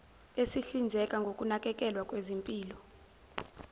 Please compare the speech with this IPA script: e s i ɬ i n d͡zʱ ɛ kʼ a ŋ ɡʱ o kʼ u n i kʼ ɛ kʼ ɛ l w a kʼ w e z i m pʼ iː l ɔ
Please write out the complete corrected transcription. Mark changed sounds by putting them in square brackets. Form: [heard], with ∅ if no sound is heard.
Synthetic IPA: e s i ɬ i n d͡zʱ ɛ kʼ a ŋ ɡʱ o kʼ u n [a] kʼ ɛ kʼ ɛ l w a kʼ w e z i m pʼ iː l ɔ